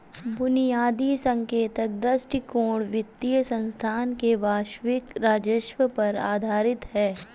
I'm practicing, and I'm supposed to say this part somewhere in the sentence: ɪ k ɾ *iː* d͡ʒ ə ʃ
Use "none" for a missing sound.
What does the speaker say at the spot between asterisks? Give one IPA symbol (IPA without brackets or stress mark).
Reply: aː